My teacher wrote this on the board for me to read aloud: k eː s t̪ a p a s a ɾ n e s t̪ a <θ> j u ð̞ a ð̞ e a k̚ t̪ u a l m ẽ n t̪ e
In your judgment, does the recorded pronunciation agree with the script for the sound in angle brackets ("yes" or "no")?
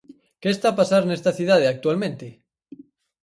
yes